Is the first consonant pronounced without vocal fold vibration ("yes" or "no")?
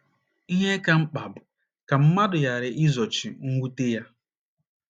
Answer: no